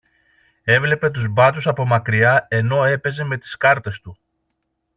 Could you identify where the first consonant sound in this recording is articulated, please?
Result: labial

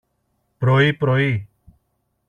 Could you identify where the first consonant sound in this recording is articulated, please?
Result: labial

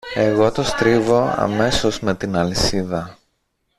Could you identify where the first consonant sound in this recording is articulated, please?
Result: velar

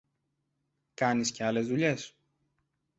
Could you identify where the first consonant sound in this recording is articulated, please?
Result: velar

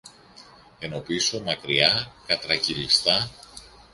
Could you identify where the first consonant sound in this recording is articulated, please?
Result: alveolar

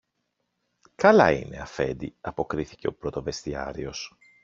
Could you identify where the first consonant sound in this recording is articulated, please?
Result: velar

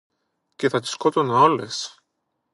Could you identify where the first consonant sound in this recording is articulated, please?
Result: palatal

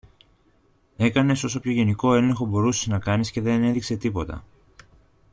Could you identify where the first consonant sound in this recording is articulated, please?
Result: velar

